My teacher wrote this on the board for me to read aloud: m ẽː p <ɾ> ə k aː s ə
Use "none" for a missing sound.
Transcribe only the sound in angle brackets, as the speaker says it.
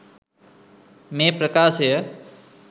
ɾ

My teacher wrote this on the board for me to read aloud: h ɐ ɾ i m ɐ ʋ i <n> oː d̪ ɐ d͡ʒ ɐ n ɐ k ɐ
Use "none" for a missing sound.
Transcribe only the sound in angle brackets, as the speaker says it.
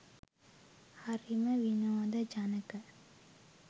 n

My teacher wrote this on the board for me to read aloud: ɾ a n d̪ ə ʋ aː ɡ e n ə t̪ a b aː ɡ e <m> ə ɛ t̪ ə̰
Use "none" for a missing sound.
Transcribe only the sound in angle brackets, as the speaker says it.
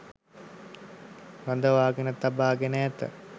n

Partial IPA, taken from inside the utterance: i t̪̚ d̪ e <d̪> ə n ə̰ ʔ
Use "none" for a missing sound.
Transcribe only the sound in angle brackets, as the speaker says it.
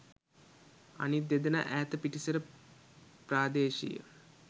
d̪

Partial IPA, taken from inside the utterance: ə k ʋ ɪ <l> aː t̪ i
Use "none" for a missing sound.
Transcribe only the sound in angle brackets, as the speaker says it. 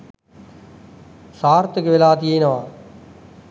l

